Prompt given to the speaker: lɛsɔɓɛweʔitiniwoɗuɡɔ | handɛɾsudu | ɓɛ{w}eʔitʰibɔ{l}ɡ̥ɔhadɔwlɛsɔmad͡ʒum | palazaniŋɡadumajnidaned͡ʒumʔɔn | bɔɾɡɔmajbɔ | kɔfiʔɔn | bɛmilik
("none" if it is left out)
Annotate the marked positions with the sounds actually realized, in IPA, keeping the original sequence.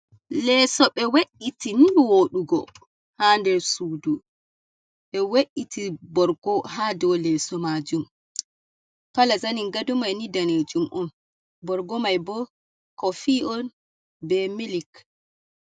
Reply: w, ɾ

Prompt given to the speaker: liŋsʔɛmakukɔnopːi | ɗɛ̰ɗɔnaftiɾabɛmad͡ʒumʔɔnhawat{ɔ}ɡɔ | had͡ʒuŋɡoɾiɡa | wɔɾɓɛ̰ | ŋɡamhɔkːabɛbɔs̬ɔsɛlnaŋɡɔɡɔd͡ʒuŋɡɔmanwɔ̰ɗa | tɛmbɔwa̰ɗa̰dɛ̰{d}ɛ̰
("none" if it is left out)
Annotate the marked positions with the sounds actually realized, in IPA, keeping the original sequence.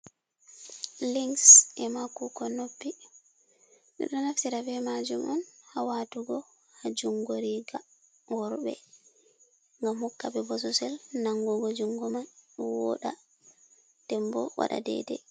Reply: u, d

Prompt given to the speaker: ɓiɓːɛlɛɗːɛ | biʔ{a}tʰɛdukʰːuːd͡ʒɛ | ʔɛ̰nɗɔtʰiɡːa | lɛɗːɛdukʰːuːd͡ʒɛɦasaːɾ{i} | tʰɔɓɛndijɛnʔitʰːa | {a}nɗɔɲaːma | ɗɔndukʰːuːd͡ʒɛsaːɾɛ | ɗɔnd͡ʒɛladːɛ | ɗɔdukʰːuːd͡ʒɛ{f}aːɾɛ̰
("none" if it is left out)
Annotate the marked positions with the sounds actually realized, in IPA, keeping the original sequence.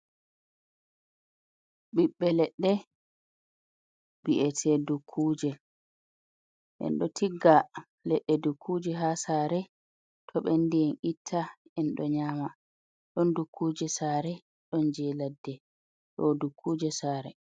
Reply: ɛ, ɛ, ɛ, s

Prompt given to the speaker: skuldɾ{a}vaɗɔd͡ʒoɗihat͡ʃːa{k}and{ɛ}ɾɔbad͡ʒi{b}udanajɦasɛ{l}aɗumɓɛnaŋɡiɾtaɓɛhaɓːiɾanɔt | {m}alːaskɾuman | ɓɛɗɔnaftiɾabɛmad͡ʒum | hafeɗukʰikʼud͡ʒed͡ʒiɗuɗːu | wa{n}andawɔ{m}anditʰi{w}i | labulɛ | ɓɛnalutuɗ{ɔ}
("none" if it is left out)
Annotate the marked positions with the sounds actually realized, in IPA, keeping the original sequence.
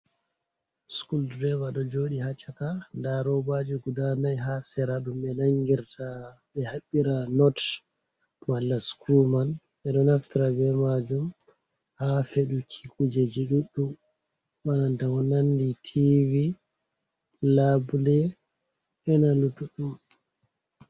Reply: ɛ, k, a, ɡ, ɾ, m, n, n, v, u

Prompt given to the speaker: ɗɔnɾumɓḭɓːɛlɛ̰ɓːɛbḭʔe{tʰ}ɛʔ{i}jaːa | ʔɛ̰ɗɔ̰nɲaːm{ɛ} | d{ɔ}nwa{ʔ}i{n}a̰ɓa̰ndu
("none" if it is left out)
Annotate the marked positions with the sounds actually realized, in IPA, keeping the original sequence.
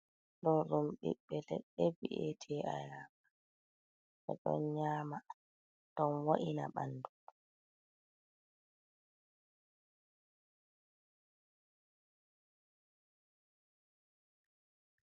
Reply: tʰ, a, a, ɔ, ʔ, n

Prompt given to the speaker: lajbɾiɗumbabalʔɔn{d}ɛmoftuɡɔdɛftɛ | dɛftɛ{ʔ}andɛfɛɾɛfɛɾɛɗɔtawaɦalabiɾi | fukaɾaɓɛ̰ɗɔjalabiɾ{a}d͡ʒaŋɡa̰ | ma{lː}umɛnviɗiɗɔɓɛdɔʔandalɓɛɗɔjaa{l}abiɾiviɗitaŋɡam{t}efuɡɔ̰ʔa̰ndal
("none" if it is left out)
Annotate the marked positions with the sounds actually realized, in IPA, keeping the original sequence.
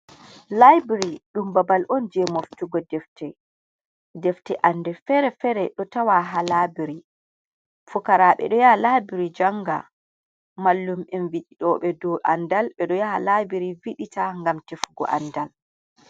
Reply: d͡ʒ, ʔ, i, lː, l, t

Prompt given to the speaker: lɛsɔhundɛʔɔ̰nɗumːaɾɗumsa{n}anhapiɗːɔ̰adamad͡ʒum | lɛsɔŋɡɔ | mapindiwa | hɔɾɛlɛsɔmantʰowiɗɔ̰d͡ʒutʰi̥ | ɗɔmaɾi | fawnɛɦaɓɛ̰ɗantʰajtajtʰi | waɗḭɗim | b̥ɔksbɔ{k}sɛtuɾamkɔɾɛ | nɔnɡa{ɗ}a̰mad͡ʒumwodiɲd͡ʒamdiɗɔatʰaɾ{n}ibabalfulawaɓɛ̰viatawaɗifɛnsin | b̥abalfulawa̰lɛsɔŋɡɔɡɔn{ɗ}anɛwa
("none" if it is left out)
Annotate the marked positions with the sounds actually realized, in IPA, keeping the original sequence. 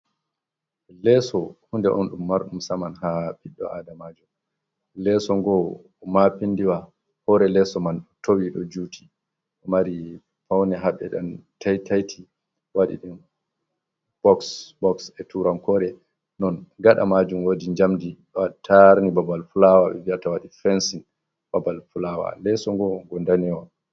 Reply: m, k, ɗ, n, d

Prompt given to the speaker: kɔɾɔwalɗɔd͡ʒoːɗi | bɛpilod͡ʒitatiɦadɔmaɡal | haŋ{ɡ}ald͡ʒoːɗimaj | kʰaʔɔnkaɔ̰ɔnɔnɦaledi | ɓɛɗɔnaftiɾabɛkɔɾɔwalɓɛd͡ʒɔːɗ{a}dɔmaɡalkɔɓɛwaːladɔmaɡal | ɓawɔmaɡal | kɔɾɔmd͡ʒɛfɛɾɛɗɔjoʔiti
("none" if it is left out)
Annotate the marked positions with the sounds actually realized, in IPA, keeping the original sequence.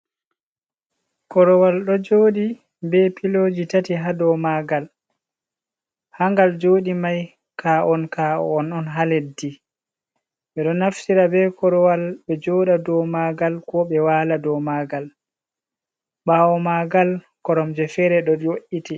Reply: ɡ, a

